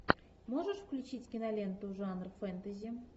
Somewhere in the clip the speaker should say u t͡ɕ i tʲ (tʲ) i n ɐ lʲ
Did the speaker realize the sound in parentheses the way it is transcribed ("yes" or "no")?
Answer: no